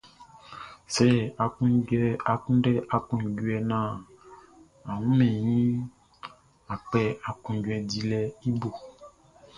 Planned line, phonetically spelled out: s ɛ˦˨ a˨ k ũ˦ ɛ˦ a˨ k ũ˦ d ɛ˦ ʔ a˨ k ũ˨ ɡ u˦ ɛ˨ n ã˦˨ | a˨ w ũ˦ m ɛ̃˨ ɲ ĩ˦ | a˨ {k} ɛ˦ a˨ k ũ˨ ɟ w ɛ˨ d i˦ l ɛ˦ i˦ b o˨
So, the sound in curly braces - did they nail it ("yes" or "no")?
no